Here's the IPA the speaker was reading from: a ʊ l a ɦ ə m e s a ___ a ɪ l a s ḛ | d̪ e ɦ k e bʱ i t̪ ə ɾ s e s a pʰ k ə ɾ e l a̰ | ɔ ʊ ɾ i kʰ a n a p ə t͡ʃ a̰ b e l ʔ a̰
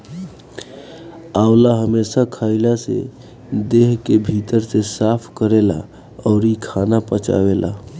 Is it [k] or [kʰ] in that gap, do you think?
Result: kʰ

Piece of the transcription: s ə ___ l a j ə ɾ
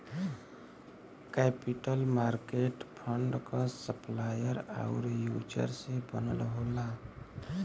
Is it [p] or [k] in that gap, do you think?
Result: p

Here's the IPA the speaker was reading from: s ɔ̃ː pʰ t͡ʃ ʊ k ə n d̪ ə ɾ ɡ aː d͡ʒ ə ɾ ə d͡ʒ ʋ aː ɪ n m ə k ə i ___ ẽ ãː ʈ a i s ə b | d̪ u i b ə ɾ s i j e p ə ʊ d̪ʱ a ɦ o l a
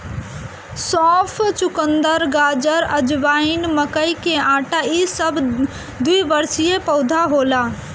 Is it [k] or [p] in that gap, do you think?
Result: k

